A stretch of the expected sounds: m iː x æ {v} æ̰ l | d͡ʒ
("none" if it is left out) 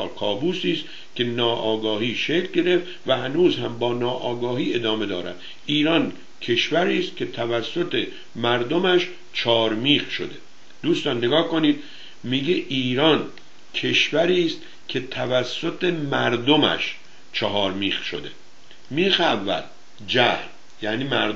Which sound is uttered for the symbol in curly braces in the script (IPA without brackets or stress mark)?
vː